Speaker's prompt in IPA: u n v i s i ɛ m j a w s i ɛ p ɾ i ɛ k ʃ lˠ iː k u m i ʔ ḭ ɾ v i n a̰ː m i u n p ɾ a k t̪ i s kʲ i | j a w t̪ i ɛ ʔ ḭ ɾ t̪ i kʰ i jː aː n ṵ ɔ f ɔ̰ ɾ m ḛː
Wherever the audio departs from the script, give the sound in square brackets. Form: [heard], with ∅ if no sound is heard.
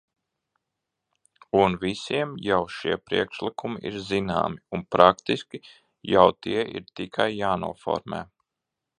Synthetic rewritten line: u n v i s i ɛ m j a w [ʃ] i ɛ p ɾ i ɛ k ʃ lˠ [i] k u m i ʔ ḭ ɾ [z] i n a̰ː m i u n p ɾ a k t̪ i s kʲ i | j a w t̪ i ɛ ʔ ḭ ɾ t̪ i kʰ [a] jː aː n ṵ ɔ f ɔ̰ ɾ m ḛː